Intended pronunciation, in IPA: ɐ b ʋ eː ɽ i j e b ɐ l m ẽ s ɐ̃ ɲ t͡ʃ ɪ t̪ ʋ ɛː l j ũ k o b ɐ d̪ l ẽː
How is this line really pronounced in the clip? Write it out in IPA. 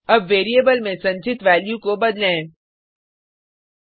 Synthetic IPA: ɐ b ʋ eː ɾ i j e b ə l m ẽ s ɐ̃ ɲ t͡ʃ ɪ t̪ ʋ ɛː l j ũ k o b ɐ d̪ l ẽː